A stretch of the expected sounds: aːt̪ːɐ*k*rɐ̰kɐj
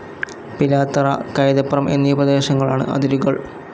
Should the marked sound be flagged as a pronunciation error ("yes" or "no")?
yes